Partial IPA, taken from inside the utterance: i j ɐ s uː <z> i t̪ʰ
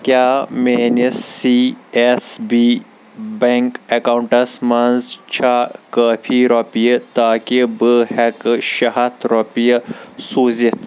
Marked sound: correct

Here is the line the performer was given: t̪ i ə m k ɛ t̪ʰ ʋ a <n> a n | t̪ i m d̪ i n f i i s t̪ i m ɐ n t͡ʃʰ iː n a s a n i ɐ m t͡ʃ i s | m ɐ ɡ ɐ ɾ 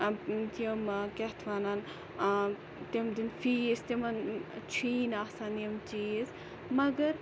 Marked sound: correct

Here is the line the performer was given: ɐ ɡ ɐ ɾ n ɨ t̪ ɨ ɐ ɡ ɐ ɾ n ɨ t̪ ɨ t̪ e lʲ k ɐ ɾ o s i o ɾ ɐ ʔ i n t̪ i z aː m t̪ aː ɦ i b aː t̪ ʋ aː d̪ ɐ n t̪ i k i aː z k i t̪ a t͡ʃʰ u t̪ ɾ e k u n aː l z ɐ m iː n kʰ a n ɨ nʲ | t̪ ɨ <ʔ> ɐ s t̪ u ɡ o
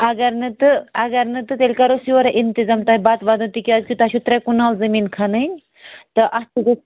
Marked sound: correct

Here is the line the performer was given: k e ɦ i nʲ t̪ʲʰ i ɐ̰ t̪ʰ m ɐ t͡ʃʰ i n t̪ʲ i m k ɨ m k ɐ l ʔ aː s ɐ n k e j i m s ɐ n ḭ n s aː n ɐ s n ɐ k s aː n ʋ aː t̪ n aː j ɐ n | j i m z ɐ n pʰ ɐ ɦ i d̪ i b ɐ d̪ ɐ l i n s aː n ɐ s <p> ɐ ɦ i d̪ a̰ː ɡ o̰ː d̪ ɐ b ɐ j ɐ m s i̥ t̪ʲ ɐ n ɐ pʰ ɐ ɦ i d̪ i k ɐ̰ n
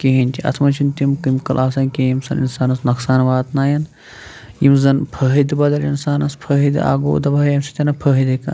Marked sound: incorrect: pʰ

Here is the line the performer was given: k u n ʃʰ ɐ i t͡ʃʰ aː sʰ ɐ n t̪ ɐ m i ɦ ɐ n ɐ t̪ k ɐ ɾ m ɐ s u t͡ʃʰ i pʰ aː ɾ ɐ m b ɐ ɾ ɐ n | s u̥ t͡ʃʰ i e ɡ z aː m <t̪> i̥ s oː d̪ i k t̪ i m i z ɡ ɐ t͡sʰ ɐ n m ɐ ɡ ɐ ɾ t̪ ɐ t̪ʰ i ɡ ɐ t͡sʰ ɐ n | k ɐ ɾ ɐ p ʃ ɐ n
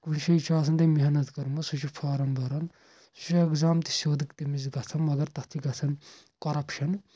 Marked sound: correct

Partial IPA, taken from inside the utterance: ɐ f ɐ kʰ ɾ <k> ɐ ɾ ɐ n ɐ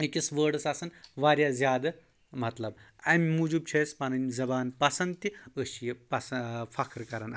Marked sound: correct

